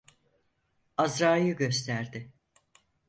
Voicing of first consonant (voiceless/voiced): voiced